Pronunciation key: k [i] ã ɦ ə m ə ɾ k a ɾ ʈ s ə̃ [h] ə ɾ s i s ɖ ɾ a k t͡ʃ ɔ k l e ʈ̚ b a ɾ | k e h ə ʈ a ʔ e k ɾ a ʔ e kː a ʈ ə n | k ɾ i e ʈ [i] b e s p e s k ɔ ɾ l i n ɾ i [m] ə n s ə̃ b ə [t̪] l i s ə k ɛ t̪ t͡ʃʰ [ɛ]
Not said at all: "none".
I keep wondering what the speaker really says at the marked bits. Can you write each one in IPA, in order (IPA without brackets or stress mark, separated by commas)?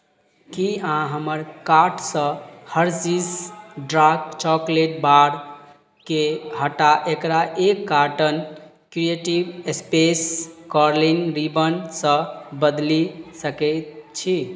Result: i, h, i, b, d̪, i